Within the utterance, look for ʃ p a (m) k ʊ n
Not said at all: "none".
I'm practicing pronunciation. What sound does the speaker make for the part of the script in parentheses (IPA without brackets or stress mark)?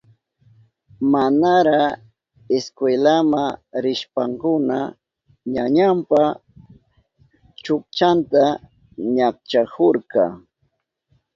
ŋ